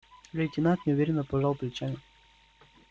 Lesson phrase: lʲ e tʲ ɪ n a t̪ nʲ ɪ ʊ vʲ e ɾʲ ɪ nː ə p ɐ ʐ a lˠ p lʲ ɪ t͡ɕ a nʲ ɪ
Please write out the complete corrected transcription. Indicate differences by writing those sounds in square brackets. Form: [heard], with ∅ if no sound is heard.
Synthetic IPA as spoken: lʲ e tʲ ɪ n a t̪ nʲ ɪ ʊ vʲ e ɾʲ ɪ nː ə p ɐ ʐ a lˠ p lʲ ɪ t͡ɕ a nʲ ɪ